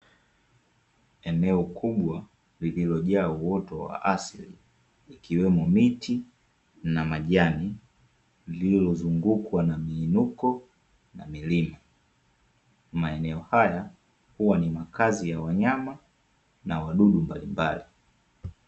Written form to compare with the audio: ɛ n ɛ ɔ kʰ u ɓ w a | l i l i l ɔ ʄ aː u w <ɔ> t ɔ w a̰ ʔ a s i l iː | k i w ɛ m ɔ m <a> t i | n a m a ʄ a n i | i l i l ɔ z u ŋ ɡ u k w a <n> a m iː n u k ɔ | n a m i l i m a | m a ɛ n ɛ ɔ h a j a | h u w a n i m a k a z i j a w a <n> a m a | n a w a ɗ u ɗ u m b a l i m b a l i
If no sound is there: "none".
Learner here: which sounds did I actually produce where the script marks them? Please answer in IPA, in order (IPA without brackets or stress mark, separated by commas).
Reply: ɔ, i, n, ɲ